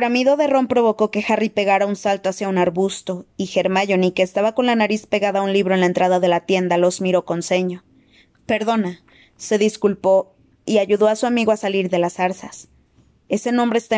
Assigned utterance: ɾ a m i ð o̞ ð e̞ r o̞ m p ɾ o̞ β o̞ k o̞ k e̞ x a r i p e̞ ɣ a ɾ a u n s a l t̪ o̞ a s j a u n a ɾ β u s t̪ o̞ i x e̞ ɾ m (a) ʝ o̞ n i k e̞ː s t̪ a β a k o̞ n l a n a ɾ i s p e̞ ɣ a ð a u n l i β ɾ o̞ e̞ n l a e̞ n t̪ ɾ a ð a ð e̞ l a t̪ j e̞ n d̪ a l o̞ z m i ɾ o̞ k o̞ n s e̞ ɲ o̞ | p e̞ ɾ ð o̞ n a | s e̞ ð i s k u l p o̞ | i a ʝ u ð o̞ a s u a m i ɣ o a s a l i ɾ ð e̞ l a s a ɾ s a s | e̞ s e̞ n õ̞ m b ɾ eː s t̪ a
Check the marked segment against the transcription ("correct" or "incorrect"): correct